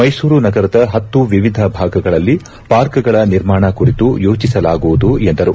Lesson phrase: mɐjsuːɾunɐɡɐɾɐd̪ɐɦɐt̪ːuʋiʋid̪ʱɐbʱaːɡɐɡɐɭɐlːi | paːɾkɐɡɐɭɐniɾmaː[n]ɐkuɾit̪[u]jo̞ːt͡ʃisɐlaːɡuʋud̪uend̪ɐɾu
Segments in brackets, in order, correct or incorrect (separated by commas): incorrect, correct